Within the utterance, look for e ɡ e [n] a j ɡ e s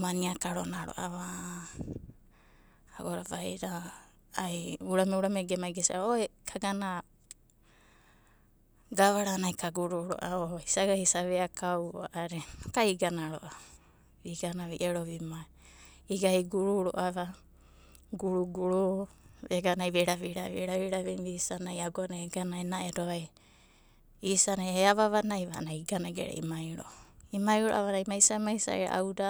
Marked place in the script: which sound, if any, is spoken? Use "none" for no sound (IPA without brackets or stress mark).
m